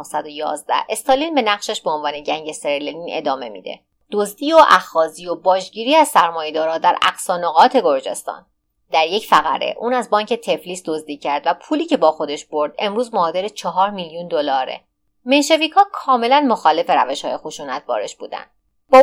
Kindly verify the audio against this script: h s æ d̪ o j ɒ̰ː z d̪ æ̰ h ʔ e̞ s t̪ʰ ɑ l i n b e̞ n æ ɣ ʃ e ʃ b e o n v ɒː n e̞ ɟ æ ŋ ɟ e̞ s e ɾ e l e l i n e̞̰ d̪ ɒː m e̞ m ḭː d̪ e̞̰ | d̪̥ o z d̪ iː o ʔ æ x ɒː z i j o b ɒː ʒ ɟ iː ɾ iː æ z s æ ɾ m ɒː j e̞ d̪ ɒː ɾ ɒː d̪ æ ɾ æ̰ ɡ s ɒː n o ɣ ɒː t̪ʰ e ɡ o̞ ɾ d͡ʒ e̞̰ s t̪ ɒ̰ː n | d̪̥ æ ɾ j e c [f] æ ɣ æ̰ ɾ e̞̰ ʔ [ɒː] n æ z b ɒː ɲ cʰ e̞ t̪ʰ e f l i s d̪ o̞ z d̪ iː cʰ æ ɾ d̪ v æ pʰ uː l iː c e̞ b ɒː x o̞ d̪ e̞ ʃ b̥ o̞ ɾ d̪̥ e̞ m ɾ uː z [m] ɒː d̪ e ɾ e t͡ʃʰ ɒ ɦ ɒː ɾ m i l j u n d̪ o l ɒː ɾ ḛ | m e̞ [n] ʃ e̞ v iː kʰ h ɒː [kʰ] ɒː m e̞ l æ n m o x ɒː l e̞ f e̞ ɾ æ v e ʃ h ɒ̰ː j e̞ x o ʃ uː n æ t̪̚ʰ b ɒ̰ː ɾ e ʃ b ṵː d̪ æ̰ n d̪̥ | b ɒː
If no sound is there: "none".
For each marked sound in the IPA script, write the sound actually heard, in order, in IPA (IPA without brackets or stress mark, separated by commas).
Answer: f, uː, m, n, kʰ